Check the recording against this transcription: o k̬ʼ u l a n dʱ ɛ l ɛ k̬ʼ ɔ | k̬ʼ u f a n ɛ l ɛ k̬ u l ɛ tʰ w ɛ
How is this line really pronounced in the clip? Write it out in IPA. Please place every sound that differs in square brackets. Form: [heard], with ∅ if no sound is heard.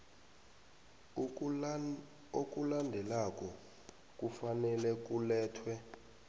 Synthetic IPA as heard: o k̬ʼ u l a n dʱ ɛ l [a] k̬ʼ ɔ | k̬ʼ u f a n ɛ l ɛ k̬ u l [ɛː] tʰ w ɛ